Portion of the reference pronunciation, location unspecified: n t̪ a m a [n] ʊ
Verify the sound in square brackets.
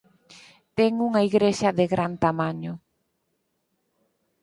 incorrect: ɲ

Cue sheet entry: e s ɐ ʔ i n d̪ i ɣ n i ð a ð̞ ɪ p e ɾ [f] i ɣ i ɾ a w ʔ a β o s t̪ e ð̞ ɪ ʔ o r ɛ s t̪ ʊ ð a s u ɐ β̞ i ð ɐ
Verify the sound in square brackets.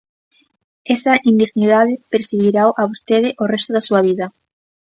incorrect: s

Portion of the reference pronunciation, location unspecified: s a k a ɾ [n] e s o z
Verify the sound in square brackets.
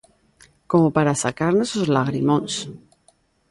correct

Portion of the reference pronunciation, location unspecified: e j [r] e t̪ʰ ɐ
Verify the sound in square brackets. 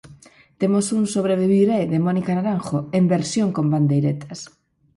incorrect: ɾ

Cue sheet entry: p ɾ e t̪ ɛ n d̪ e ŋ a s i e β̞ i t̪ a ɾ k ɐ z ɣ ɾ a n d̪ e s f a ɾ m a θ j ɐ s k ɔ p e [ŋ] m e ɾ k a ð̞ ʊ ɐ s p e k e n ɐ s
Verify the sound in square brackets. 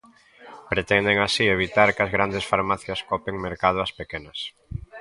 correct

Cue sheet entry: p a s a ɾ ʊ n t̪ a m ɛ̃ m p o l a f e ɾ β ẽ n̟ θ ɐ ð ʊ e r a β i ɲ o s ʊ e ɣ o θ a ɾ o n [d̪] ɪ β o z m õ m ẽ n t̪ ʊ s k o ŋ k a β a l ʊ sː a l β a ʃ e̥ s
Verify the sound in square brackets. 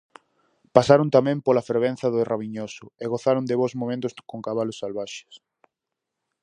correct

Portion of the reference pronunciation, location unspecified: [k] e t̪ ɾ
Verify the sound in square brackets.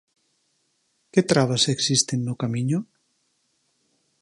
correct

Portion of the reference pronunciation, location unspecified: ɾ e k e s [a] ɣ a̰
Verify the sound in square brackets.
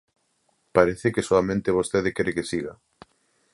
incorrect: i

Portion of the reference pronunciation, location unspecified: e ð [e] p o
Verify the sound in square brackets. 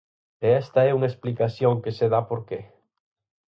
incorrect: a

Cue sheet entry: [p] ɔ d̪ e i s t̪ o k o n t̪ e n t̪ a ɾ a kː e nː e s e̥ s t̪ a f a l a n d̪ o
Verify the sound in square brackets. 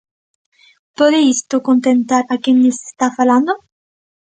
correct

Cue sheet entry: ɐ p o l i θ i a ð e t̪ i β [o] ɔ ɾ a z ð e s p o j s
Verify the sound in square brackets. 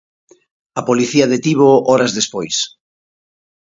correct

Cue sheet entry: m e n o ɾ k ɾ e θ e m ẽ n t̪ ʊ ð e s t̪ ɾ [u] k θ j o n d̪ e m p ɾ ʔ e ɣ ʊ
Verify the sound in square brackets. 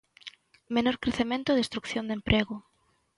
correct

